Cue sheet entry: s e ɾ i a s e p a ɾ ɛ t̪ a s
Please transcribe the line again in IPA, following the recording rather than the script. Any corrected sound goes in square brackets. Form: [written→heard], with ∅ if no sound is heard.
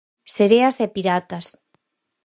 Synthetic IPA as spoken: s e ɾ [i→e] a s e p [a→i] ɾ [ɛ→a] t̪ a s